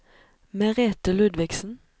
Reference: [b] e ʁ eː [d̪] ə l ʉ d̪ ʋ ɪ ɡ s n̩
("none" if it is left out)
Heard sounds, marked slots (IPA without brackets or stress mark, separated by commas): m, t̪